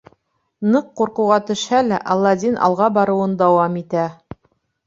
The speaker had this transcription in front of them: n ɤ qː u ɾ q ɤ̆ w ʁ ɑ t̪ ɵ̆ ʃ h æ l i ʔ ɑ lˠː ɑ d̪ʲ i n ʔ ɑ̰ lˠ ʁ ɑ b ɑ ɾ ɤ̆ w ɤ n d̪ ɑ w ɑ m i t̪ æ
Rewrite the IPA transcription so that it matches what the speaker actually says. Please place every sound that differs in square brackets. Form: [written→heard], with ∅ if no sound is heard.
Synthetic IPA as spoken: n ɤ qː u ɾ q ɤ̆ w ʁ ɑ t̪ ɵ̆ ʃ h æ l [i→æ] ʔ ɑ lˠː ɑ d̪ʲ i n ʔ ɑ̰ lˠ ʁ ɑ b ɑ ɾ ɤ̆ w ɤ n d̪ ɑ w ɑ m i t̪ æ